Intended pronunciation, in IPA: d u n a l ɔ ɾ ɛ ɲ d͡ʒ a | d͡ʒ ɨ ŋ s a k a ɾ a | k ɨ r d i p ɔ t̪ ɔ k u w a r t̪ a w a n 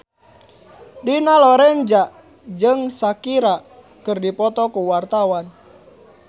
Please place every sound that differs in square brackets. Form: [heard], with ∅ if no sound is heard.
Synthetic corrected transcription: d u n a l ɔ ɾ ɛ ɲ d͡ʒ a | d͡ʒ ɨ ŋ s a k [i] ɾ a | k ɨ r d i p ɔ t̪ ɔ k u w a r t̪ a w a n